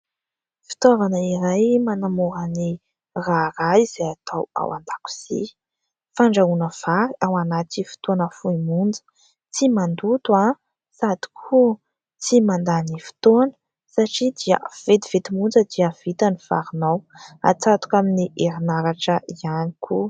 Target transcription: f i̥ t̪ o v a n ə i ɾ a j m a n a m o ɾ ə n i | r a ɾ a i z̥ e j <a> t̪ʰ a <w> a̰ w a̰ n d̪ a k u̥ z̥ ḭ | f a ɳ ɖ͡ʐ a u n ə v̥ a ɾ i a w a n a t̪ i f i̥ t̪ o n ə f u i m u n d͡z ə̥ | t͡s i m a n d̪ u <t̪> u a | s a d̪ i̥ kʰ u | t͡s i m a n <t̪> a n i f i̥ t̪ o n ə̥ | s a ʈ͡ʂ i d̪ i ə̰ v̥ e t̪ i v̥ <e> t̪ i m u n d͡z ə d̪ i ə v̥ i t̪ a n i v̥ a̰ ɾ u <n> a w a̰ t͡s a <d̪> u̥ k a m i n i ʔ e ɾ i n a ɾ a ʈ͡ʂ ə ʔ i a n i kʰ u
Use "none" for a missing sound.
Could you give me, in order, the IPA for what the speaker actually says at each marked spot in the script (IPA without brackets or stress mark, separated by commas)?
a, w, t̪, d̪, e, n, t̪